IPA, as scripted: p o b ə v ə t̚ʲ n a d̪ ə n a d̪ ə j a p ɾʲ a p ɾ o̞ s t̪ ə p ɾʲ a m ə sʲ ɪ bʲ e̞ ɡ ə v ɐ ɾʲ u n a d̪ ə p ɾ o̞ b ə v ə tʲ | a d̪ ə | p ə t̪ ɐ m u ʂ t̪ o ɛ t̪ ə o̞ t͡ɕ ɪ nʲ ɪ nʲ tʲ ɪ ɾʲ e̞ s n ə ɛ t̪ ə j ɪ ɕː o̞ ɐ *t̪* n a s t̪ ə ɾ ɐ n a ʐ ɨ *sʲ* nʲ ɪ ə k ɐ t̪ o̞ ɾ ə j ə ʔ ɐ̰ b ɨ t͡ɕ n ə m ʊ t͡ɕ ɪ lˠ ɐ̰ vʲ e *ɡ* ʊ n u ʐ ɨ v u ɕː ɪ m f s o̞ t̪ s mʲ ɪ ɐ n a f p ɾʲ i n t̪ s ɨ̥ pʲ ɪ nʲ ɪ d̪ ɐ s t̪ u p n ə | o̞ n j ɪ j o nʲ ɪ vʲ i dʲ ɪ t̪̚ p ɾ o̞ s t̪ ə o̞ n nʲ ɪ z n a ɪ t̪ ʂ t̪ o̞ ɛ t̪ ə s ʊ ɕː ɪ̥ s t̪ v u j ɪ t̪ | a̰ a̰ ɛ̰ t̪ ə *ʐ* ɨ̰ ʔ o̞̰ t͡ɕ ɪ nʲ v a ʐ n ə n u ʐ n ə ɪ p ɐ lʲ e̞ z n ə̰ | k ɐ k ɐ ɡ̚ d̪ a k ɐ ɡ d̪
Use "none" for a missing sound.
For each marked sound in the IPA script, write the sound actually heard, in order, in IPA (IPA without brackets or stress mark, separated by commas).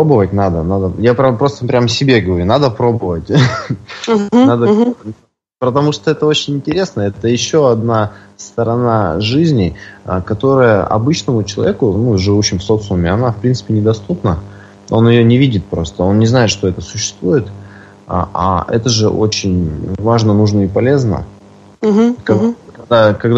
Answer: d̪, zʲ, k, ʐ